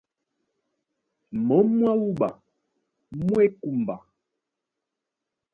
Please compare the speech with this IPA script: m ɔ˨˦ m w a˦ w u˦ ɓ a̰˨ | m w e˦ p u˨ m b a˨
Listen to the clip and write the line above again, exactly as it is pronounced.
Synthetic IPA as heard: m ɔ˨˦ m w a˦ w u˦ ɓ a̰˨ | m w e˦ k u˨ m b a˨